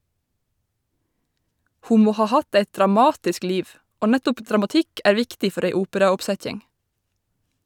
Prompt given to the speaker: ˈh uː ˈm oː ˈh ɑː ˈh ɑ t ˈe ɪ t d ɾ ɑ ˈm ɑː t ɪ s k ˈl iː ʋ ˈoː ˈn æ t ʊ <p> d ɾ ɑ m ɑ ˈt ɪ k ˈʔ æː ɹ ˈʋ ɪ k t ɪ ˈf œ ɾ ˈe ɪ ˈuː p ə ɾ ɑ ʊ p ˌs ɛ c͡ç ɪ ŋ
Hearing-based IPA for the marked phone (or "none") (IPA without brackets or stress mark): p